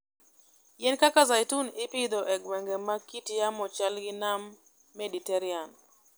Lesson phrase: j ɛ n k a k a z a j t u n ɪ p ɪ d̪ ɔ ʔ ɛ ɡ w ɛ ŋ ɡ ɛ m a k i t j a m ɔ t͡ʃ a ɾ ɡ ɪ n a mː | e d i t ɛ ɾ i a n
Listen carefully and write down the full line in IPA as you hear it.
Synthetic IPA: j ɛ n k a k a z a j t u n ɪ p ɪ d̪ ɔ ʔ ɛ ɡ w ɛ ŋ ɡ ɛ m a k i t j a m ɔ t͡ʃ a l ɡ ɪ n a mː | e d i t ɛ ɾ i a n